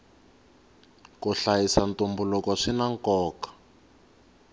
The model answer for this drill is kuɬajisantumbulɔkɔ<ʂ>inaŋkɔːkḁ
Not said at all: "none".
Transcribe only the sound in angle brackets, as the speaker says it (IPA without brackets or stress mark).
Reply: ʂ